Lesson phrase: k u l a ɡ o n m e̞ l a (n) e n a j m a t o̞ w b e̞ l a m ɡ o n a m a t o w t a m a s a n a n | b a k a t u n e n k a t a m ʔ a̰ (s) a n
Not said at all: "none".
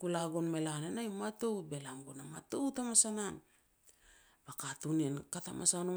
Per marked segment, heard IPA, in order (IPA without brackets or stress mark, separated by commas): n, s